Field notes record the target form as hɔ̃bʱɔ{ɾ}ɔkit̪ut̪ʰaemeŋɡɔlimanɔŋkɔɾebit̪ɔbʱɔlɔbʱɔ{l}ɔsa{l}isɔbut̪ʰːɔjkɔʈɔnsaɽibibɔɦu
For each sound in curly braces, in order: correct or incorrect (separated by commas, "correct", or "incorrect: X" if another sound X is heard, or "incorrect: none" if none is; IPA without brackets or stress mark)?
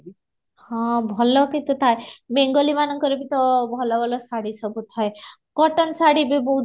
incorrect: l, correct, incorrect: ɽ